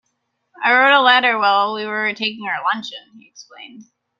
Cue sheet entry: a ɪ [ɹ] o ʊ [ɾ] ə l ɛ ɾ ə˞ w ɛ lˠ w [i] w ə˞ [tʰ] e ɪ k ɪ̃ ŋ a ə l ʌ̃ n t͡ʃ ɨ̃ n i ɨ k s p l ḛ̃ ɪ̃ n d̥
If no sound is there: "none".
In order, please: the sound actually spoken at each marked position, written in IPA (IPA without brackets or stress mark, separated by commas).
ɹ, ɾ, i, tʰ